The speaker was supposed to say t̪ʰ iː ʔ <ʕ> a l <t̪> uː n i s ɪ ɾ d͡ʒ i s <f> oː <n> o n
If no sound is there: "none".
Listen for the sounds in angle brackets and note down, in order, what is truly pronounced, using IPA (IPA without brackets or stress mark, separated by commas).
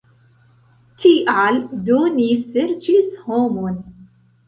ʕ, d̪, h, m